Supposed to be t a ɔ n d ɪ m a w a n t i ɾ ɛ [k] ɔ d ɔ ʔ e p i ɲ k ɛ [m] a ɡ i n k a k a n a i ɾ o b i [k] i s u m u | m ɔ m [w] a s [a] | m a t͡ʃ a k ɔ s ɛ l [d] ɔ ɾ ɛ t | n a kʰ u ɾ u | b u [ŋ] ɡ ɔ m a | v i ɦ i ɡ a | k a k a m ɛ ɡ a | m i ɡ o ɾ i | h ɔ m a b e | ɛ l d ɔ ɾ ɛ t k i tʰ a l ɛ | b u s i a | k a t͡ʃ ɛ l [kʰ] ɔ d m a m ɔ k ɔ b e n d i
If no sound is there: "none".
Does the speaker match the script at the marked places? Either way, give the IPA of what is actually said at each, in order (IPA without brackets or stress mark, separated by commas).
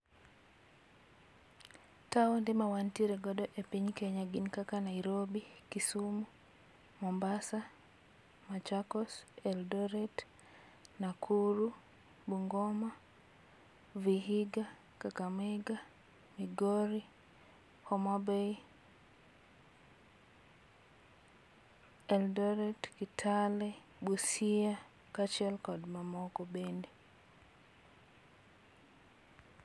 ɡ, ɲ, k, b, a, d, ŋ, k